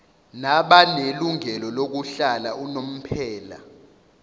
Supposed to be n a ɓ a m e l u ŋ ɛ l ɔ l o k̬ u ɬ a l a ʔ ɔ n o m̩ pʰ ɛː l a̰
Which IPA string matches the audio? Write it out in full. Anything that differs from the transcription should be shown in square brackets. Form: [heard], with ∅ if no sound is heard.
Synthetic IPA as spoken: n a ɓ a [n] e l u ŋ ɛ l ɔ l o k̬ u ɬ a l a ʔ [u] n o m̩ pʰ ɛː l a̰